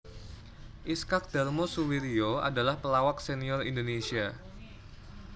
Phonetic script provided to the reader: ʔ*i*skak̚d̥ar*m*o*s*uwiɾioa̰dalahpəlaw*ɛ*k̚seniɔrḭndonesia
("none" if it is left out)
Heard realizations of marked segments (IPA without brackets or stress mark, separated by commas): i, m, s, a